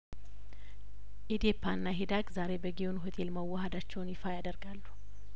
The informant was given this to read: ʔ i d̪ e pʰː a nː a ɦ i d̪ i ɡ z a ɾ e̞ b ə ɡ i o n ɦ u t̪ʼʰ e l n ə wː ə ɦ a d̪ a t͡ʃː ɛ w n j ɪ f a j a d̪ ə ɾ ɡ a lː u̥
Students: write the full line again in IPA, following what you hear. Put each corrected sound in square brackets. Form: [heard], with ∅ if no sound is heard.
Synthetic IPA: ʔ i d̪ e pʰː a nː a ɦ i d̪ [a] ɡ z a ɾ e̞ b ə ɡ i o n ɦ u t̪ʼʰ e l [m] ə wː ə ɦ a d̪ a t͡ʃː ɛ w n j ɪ f a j a d̪ ə ɾ ɡ a lː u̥